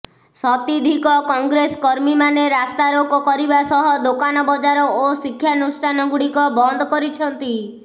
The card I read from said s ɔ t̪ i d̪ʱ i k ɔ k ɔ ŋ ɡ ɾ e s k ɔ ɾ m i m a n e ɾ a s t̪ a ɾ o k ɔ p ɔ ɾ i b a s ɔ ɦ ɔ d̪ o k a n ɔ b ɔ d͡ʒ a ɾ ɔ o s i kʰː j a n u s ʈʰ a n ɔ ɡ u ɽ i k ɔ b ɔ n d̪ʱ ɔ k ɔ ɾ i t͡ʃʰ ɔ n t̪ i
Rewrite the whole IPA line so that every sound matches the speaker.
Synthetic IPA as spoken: s ɔ t̪ i d̪ʱ i k ɔ k ɔ ŋ ɡ ɾ e s k ɔ ɾ m i m a n e ɾ a s t̪ a ɾ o k ɔ k ɔ ɾ i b a s ɔ ɦ ɔ d̪ o k a n ɔ b ɔ d͡ʒ a ɾ ɔ o s i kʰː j a n u s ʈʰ a n ɔ ɡ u ɽ i k ɔ b ɔ n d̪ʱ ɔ k ɔ ɾ i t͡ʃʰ ɔ n t̪ i

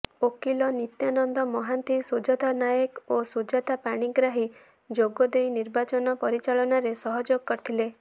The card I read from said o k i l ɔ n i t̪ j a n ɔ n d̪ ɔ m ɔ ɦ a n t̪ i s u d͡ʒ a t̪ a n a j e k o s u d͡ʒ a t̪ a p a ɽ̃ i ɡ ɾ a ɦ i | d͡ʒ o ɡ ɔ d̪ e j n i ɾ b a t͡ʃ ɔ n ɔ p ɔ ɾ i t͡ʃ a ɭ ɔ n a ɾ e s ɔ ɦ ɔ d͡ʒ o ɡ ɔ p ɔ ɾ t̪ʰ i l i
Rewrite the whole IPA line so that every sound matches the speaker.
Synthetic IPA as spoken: o k i l ɔ n i t̪ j a n ɔ n d̪ ɔ m ɔ ɦ a n t̪ i s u d͡ʒ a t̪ a n a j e k o s u d͡ʒ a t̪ a p a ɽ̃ i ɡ ɾ a ɦ i | d͡ʒ o ɡ ɔ d̪ e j n i ɾ b a t͡ʃ ɔ n ɔ p ɔ ɾ i t͡ʃ a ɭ ɔ n a ɾ e s ɔ ɦ ɔ d͡ʒ o ɡ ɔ k ɔ ɾ t̪ʰ i l e

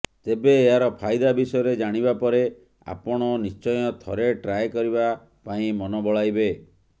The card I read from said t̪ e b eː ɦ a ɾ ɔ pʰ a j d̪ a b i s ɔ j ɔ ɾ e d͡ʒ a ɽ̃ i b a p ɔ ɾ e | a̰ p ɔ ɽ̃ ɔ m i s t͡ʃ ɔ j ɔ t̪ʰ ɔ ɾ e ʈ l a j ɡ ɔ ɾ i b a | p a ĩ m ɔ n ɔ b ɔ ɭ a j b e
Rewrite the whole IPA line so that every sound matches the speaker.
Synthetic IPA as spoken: t̪ e b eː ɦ a ɾ ɔ pʰ a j d̪ a b i s ɔ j ɔ ɾ e d͡ʒ a ɽ̃ i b a p ɔ ɾ e | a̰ p ɔ ɽ̃ ɔ n i s t͡ʃ ɔ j ɔ t̪ʰ ɔ ɾ e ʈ ɾ a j k ɔ ɾ i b a | p a ĩ m ɔ n ɔ b ɔ ɭ a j b e

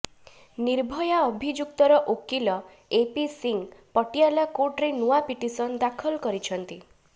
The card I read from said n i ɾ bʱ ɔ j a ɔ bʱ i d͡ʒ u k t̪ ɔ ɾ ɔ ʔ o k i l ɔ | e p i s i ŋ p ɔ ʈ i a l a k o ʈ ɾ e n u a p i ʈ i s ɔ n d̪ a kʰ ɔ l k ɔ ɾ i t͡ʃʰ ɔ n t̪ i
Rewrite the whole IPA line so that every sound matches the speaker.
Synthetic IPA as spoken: n i ɾ bʱ ɔ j a ɔ bʱ i d͡ʒ u k t̪ ɔ ɾ ɔ ʔ o k i l ɔ | e p i s i ŋ p ɔ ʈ i a l a k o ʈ ɾ e n u a p i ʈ i s ɔ n d̪ a kʰ ɔ l k ɔ ɾ i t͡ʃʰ ɔ n t̪ i

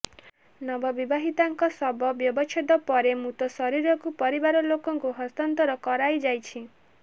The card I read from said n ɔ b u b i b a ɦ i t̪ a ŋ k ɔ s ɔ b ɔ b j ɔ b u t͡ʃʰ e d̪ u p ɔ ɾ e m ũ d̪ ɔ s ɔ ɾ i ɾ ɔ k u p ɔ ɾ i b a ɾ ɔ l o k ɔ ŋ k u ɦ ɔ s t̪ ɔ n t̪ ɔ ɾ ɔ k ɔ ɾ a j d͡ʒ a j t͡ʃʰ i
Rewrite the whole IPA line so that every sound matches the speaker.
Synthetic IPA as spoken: n ɔ b ɔ b i b a ɦ i t̪ a ŋ k ɔ s ɔ b ɔ b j ɔ b ɔ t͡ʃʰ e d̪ ɔ p ɔ ɾ e m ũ t̪ ɔ s ɔ ɾ i ɾ ɔ k u p ɔ ɾ i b a ɾ ɔ l o k ɔ ŋ k u ɦ ɔ s t̪ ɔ n t̪ ɔ ɾ ɔ k ɔ ɾ a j d͡ʒ a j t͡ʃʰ i

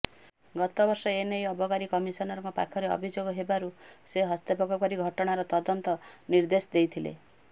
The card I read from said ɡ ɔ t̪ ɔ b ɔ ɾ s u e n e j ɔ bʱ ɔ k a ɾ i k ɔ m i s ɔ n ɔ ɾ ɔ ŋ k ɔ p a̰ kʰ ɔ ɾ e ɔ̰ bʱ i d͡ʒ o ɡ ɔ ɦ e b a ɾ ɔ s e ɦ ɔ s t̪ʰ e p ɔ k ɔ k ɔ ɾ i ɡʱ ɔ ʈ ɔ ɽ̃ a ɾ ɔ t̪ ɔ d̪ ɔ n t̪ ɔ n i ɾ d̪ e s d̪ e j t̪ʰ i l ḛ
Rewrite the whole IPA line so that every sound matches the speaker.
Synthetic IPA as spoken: ɡ ɔ t̪ ɔ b ɔ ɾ s ɔ e n e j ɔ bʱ ɔ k a ɾ i k ɔ m i s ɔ n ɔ ɾ ɔ ŋ k ɔ p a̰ kʰ ɔ ɾ e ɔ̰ bʱ i d͡ʒ o ɡ ɔ ɦ e b a ɾ u s e ɦ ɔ s t̪ e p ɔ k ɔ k ɔ ɾ i ɡʱ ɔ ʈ ɔ ɽ̃ a ɾ ɔ t̪ ɔ d̪ ɔ n t̪ ɔ n i ɾ d̪ e s d̪ e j t̪ʰ i l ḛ

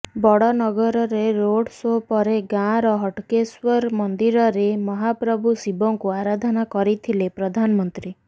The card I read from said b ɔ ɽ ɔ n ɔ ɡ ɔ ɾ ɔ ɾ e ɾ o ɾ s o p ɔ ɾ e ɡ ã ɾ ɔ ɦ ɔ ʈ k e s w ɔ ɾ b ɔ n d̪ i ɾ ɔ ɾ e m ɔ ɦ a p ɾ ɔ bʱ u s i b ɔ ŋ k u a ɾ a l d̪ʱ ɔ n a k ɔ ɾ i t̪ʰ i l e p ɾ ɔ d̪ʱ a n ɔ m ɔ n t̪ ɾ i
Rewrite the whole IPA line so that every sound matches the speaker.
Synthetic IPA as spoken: b ɔ ɽ ɔ n ɔ ɡ ɔ ɾ ɔ ɾ e ɾ o ɽ s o p ɔ ɾ e ɡ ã ɾ ɔ ɦ ɔ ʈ k e s w ɔ ɾ m ɔ n d̪ i ɾ ɔ ɾ e m ɔ ɦ a p ɾ ɔ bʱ u s i b ɔ ŋ k u a ɾ a d̪ʱ ɔ n a k ɔ ɾ i t̪ʰ i l e p ɾ ɔ d̪ʱ a n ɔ m ɔ n t̪ ɾ i

